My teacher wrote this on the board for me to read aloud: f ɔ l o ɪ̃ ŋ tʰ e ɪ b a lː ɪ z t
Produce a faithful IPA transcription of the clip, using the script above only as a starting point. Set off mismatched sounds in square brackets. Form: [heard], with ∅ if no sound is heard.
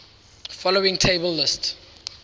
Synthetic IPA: f ɔ l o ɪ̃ ŋ tʰ e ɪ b [ə] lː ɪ [s] t

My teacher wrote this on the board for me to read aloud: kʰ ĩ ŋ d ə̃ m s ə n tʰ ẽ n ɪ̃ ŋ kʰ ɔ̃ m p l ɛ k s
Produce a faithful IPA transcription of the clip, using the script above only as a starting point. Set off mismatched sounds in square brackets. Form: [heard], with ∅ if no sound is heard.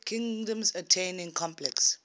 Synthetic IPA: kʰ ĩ ŋ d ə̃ m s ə [∅] tʰ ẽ n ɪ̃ ŋ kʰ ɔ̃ m p l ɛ k s

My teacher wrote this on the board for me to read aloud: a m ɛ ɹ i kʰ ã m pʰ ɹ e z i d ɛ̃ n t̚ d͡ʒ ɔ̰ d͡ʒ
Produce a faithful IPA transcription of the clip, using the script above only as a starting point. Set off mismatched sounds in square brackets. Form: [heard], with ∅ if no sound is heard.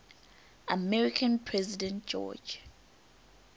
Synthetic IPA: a m ɛ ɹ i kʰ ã [n] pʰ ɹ [ɛ] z i d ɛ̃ n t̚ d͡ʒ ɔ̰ d͡ʒ

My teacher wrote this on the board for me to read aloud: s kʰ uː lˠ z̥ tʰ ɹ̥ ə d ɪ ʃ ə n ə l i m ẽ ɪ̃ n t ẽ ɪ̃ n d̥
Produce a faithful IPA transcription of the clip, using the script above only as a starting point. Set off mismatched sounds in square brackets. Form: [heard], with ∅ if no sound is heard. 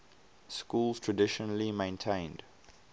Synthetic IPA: s [k] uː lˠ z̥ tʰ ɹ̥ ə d ɪ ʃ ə n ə l i m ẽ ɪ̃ n [tʰ] ẽ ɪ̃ n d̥

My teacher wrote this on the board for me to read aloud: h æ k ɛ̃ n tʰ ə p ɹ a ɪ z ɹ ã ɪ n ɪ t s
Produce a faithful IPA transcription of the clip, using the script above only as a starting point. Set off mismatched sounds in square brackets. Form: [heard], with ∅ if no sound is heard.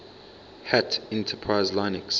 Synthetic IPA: h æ [t] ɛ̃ n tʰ ə [pʰ] ɹ a ɪ z [l] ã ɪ n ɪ [k] s

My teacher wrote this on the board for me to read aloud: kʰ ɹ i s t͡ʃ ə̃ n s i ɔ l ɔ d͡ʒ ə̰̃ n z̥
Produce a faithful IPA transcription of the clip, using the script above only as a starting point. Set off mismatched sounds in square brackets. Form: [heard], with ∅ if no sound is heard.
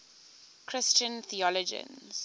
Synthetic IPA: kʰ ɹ [ɪ] s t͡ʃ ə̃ n [θ] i ɔ l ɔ d͡ʒ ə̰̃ n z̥

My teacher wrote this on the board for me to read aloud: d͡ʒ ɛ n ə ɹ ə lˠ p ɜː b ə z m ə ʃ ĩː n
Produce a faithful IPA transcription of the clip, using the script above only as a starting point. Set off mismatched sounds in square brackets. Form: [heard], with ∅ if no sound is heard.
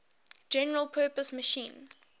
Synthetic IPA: d͡ʒ ɛ n ə ɹ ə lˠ [pʰ] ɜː [p] ə [s] m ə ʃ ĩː n

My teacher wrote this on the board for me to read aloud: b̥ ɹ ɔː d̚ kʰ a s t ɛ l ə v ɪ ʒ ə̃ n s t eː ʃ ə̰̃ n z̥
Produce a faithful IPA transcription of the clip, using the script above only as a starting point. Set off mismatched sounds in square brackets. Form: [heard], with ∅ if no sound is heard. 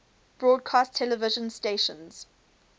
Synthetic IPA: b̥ ɹ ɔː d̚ kʰ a s [tʰ] ɛ l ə v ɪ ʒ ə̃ n s t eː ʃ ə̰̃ n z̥

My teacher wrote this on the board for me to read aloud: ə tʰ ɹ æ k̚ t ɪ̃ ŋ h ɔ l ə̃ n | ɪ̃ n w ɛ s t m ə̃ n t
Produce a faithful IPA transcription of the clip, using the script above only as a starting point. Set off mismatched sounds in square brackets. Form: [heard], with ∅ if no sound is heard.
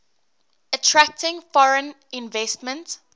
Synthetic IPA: ə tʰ ɹ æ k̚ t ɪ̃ ŋ [f] ɔ [ɹ] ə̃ n | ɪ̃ n [v] ɛ s t m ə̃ n t

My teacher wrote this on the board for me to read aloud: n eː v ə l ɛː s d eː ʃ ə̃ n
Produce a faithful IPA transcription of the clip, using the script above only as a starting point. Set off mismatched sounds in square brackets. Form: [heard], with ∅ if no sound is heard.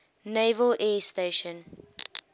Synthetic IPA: n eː v ə l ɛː s [t] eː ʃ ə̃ n

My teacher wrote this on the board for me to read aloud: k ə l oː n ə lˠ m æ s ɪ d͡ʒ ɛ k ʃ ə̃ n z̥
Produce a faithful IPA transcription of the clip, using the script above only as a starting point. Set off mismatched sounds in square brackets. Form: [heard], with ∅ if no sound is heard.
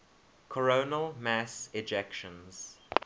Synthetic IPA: [kʰ] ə [ɹ] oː n ə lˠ m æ s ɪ d͡ʒ ɛ k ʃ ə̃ n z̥

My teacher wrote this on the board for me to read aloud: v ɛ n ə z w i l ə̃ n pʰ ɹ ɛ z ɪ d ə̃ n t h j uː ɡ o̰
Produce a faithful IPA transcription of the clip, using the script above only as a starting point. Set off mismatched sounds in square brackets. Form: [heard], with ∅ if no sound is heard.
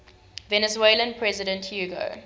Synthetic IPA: v ɛ n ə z w [e] l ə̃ n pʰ ɹ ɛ z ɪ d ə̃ n t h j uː ɡ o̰

